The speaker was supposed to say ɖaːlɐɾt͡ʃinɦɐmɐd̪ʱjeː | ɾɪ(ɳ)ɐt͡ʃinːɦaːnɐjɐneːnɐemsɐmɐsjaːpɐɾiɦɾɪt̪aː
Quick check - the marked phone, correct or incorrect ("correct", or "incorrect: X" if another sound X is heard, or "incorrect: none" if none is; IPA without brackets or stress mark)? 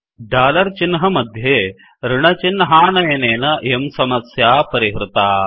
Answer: correct